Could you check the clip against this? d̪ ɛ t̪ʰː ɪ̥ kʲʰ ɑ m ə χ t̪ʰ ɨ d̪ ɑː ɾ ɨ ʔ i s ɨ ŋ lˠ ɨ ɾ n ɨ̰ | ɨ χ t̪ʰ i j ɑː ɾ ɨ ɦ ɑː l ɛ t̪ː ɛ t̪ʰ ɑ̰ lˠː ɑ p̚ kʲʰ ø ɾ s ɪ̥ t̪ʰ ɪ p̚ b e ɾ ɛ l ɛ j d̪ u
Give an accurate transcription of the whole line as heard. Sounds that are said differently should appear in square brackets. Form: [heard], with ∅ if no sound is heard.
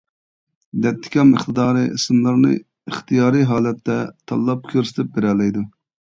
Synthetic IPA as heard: d̪ ɛ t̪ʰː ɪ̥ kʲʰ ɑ m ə χ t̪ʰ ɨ d̪ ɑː ɾ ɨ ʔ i s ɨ [m] lˠ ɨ ɾ n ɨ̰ | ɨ χ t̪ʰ i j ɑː ɾ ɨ ɦ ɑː l ɛ t̪ː ɛ t̪ʰ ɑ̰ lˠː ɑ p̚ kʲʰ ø ɾ s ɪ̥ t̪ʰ ɪ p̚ b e ɾ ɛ l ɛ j d̪ u